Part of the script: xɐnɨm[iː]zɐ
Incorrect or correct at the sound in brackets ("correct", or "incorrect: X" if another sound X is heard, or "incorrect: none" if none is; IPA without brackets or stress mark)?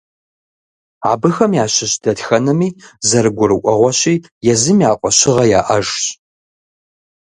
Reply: correct